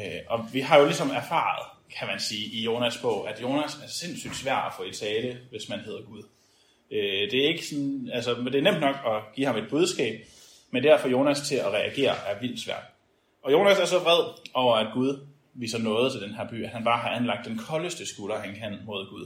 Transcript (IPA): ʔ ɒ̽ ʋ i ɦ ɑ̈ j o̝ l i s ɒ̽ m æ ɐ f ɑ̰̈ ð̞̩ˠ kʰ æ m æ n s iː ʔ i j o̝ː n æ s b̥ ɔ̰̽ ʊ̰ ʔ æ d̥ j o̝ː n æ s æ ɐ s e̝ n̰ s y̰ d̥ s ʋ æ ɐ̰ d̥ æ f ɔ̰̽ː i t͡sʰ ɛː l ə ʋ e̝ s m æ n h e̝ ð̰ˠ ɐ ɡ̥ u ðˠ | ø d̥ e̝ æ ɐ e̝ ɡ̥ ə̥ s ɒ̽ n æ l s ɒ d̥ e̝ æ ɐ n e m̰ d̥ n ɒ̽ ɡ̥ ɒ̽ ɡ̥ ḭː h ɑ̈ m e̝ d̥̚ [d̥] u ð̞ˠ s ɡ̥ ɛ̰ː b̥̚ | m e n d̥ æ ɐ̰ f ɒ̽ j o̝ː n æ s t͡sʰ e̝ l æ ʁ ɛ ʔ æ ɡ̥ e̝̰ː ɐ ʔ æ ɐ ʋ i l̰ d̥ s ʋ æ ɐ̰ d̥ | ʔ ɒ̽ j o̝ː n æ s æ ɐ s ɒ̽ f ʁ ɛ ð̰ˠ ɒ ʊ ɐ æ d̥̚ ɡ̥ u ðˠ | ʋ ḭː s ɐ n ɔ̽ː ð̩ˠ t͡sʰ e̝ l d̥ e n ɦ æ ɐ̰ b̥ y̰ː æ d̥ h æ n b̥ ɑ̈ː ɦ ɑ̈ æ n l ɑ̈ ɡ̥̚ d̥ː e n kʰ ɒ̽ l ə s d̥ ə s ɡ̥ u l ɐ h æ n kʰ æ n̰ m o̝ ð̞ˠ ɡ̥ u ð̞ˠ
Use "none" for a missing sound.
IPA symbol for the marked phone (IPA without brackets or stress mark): b̥